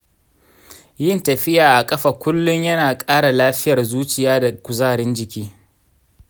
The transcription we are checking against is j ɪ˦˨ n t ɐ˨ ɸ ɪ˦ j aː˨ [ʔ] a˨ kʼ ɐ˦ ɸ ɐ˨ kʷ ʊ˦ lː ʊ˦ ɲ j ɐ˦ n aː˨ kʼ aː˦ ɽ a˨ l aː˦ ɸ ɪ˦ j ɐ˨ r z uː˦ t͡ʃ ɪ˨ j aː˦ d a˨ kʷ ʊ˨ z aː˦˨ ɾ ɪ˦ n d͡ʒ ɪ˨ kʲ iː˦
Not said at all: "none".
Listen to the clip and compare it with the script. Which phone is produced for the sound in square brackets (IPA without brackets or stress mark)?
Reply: ʔ